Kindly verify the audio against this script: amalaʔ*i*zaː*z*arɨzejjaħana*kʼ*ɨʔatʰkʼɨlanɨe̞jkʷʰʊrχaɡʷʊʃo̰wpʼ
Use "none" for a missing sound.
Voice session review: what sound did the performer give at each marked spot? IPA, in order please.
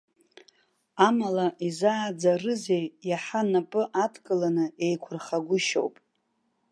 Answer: i, d͡z, pʼ

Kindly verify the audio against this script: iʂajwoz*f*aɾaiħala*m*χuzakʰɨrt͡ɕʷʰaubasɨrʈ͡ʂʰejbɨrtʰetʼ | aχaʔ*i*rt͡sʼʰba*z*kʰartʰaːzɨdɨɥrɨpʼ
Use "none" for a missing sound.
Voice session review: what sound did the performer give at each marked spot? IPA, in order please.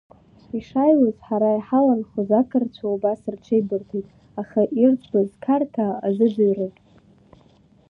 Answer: ħ, n, i, z

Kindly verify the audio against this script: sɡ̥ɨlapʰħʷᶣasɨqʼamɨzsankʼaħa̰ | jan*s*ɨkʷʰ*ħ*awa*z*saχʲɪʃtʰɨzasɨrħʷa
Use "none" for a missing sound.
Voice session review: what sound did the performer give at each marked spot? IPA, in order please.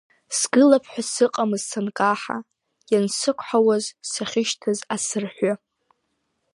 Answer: s, ħ, z

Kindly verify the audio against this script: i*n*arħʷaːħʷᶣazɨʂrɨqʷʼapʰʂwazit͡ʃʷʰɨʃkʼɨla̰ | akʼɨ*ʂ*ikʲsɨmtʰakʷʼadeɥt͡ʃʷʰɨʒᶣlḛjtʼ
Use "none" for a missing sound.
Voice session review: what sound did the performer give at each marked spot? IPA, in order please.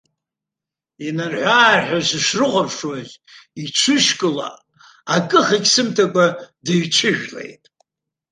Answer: n, χ

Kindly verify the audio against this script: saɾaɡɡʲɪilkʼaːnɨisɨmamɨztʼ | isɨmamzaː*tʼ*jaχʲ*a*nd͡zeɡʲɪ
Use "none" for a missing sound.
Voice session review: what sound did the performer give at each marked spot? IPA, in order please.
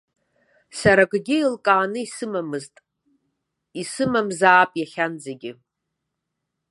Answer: pʼ, a

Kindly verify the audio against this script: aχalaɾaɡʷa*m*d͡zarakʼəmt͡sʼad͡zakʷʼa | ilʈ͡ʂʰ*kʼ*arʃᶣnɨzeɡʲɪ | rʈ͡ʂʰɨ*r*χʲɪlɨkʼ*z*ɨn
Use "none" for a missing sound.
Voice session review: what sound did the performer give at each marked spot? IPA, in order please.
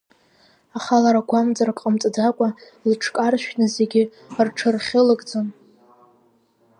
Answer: m, kʼ, r, d͡z

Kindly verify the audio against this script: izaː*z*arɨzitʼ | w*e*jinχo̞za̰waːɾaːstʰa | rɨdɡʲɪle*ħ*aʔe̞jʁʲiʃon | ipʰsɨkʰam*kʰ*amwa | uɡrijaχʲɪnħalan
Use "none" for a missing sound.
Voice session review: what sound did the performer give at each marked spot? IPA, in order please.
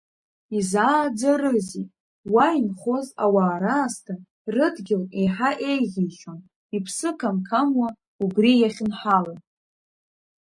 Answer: d͡z, a, ħ, kʰ

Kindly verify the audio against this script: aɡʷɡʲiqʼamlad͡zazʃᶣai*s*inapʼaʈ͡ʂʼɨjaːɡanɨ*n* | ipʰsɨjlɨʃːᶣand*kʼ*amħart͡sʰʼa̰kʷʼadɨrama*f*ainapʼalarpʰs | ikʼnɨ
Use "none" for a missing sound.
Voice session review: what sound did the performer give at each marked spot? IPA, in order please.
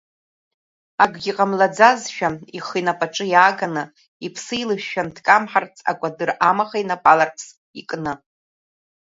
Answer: χ, none, kʼ, χ

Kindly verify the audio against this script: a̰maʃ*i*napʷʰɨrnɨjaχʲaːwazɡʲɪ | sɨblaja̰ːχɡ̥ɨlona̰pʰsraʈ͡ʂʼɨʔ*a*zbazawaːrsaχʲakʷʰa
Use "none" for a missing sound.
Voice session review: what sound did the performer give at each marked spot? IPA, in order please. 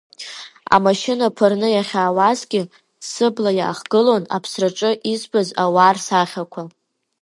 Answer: ɪ, i

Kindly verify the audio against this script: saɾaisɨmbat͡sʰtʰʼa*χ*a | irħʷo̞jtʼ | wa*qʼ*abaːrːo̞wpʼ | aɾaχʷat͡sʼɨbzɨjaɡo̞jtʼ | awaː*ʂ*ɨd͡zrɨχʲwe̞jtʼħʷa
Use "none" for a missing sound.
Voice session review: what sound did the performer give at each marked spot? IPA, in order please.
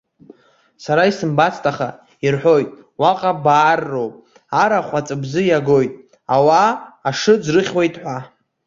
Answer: χ, qʼ, ʂ

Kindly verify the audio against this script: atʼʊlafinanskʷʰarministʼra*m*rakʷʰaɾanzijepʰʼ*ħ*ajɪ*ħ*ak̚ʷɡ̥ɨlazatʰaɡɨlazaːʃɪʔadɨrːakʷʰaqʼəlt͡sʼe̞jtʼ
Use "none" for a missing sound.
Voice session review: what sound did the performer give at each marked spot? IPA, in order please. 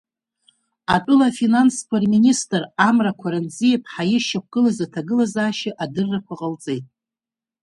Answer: m, ħ, ʃ

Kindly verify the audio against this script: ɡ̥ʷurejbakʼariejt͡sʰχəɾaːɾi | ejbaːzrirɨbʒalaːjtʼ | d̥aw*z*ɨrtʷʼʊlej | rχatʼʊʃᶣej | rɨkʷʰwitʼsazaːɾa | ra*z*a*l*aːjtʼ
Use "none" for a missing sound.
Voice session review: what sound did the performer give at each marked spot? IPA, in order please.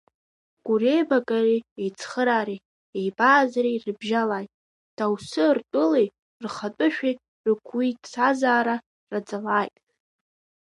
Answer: s, d͡z, l

